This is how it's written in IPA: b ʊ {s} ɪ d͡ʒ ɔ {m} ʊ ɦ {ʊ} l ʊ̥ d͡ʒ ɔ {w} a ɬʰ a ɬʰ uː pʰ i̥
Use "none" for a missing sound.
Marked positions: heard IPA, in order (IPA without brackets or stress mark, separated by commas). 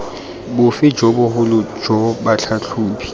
f, b, ʊ, b